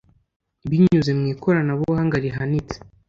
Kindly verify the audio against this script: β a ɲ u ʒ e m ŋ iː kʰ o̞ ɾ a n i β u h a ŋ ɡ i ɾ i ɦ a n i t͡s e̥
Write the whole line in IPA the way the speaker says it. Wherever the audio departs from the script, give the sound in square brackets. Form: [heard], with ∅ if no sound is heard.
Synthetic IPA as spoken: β [i] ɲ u [z] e m ŋ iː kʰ o̞ ɾ a n [a] β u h a ŋ ɡ [a] ɾ i ɦ a n i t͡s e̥

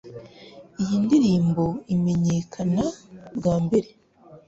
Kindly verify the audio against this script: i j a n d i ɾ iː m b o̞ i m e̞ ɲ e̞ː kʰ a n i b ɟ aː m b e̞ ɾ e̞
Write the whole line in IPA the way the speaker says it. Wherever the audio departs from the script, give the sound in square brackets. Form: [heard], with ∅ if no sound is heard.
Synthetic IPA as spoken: i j [i] n d i ɾ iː m b o̞ i m e̞ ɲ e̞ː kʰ a n [a] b [ɡ] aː m b e̞ ɾ e̞

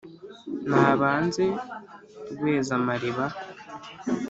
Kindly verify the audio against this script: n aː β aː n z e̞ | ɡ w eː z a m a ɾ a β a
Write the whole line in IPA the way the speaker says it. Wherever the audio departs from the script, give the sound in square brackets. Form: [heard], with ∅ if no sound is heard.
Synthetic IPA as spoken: n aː β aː n z e̞ | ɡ w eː z a m a ɾ [i] β a

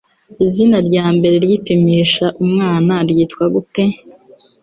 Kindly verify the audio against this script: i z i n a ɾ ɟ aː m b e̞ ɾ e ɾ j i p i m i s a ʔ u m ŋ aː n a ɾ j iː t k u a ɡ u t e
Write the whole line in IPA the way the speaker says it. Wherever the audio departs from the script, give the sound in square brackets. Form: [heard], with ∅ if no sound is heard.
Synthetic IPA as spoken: i z i n a ɾ ɟ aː m b e̞ ɾ e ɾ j i p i m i [ʃ] a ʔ u m ŋ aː n a ɾ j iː t k [w] a ɡ u t e

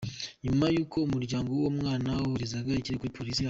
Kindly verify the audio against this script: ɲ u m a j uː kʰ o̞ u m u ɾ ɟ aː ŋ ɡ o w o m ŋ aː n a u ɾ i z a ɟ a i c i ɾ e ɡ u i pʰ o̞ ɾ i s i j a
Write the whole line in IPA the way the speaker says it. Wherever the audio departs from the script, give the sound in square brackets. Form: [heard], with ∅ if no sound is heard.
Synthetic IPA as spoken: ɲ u m a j uː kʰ o̞ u m u ɾ ɟ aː ŋ ɡ o w o m ŋ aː n a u ɾ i z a [ɡ] a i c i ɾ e [k] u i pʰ o̞ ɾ i s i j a

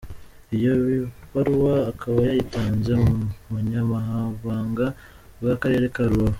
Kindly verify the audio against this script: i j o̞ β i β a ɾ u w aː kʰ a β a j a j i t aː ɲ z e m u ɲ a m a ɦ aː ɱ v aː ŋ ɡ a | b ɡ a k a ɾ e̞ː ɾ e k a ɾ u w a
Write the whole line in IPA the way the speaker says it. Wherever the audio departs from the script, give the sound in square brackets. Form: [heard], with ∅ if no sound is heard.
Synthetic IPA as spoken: i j o̞ β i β a ɾ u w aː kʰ a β a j a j i t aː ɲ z e m u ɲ a m a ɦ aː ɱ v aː ŋ ɡ a | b ɡ a k a ɾ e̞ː ɾ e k a ɾ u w a

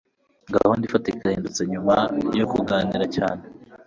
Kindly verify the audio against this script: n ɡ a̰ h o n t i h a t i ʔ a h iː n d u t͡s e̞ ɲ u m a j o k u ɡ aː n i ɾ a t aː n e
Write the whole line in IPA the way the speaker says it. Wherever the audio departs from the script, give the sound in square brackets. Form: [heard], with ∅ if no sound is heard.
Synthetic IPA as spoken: [ŋ] ɡ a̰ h o n [d] i [f] a t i [k] a h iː n d u t͡s e̞ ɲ u m a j o k u ɡ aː n i ɾ a [c] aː n e

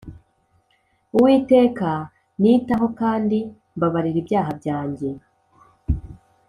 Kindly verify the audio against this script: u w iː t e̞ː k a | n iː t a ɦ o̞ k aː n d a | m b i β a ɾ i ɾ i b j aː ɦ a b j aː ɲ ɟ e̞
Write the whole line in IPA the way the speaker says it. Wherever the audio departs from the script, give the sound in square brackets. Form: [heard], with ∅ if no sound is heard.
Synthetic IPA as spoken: u w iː t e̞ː k a | n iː t a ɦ o̞ k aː n d [i] | m b [a] β a ɾ i ɾ i b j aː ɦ a b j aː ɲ ɟ e̞

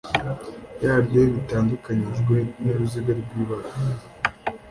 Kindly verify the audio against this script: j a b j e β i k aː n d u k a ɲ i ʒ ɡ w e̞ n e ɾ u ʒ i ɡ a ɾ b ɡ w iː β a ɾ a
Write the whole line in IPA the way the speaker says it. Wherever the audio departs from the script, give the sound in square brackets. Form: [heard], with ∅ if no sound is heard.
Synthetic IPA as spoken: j a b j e β i [t] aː n d u k a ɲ i ʒ ɡ w e̞ n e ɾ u [z] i ɡ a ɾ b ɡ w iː β a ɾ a

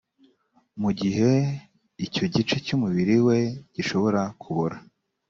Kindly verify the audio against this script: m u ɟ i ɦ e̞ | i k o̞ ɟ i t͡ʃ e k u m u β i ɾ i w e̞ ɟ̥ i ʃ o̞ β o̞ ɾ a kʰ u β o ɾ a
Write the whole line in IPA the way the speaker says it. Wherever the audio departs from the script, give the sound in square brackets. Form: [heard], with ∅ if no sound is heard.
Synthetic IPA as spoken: m u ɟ i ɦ e̞ | i [c] o̞ ɟ i t͡ʃ e [c] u m u β i ɾ i w e̞ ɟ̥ i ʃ o̞ β o̞ ɾ a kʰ u β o ɾ a

